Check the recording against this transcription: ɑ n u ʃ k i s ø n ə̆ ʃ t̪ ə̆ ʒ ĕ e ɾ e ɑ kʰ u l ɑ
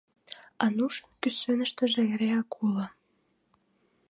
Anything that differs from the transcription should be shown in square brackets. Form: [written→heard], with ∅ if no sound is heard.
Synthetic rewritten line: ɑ n u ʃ k [i→y] s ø n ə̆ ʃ t̪ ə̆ ʒ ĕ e ɾ e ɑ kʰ u l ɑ